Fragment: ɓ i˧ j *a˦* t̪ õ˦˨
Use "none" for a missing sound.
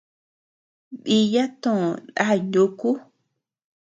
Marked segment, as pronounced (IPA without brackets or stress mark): a˦